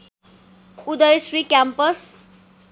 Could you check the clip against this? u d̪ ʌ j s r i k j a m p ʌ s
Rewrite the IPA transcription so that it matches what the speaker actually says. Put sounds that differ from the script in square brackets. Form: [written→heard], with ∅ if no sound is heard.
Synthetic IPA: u d̪ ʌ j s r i k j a m p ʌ s